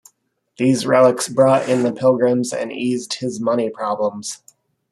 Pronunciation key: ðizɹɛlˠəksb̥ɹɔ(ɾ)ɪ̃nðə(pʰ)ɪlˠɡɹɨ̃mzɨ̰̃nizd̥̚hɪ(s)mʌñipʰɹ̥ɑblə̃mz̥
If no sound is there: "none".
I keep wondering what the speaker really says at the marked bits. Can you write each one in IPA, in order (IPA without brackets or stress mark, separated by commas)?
ɾ, pʰ, z